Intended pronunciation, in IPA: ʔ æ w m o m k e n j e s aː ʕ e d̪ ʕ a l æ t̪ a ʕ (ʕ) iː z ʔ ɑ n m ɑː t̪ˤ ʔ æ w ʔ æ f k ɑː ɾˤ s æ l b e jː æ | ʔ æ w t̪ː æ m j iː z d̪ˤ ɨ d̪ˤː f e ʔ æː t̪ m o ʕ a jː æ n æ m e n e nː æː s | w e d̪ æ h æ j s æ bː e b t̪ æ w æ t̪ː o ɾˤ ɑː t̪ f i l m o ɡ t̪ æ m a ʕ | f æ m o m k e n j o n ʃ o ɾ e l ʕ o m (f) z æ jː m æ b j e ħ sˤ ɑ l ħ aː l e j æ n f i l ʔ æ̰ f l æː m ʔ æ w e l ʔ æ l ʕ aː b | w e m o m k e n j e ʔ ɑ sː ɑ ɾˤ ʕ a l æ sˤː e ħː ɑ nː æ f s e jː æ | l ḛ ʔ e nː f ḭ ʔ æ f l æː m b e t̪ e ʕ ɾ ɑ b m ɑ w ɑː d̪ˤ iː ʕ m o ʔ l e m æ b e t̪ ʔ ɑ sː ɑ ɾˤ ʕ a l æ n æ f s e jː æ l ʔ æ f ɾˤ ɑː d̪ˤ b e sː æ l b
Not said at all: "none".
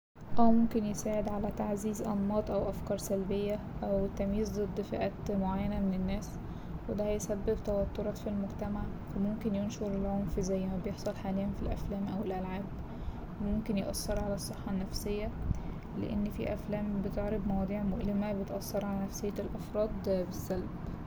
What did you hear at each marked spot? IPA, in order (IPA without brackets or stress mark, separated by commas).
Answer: z, f